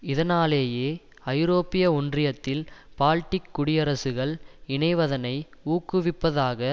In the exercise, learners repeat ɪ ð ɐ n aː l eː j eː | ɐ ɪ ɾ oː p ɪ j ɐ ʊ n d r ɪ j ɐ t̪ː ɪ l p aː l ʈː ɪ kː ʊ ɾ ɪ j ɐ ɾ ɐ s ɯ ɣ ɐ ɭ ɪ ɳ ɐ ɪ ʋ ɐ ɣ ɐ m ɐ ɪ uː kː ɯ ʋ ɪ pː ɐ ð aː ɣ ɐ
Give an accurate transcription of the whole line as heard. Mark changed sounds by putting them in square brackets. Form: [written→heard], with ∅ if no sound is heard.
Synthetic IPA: ɪ ð ɐ n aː l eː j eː | ɐ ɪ ɾ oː p ɪ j ɐ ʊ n d r ɪ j ɐ t̪ː ɪ l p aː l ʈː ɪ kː ʊ [ɾ→ɽ] ɪ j ɐ ɾ ɐ s ɯ ɣ ɐ ɭ ɪ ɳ ɐ ɪ ʋ ɐ [ɣ→ð] ɐ [m→n] ɐ ɪ uː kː ɯ ʋ ɪ pː ɐ ð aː ɣ ɐ